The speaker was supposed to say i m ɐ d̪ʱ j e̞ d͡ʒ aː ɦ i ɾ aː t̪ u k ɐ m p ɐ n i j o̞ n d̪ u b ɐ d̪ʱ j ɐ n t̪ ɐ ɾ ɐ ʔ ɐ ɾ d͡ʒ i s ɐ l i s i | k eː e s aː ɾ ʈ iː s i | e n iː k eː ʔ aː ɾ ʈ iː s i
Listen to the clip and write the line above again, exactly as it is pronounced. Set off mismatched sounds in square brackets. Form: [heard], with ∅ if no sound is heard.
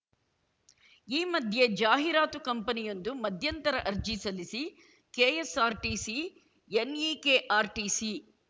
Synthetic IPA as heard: [iː] m ɐ d̪ʱ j e̞ d͡ʒ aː ɦ i ɾ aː t̪ u k ɐ m p ɐ n i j o̞ n d̪ u [m] ɐ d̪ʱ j ɐ n t̪ ɐ ɾ ɐ ʔ ɐ ɾ d͡ʒ i s ɐ l i s i | k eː e s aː ɾ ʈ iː s i | e n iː k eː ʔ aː ɾ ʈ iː s i